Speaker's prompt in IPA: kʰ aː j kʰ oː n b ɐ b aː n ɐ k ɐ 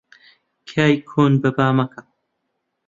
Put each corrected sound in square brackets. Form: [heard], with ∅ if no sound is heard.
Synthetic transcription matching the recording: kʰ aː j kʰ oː n b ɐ b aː [m] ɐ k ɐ